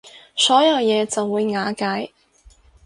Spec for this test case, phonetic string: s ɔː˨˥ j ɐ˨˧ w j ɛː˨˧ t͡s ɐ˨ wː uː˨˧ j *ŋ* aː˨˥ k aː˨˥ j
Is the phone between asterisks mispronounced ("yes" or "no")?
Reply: no